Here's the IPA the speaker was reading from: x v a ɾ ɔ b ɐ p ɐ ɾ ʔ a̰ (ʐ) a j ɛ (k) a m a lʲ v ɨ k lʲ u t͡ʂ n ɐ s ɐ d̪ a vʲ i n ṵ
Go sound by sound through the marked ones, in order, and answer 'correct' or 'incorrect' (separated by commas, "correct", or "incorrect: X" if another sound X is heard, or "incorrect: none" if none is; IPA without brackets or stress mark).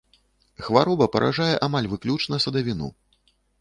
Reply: correct, incorrect: ʔ